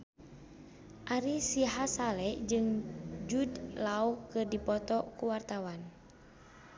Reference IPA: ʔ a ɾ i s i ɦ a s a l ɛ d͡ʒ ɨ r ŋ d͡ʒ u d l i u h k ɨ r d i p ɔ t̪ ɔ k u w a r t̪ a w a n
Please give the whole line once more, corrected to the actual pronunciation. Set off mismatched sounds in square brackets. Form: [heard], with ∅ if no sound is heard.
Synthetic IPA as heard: ʔ a ɾ i s i ɦ a s a l ɛ d͡ʒ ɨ [∅] ŋ d͡ʒ u d l [a] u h k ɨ r d i p ɔ t̪ ɔ k u w a r t̪ a w a n